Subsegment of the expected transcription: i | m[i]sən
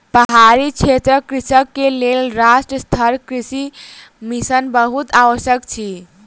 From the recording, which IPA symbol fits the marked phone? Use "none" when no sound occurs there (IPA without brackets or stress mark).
i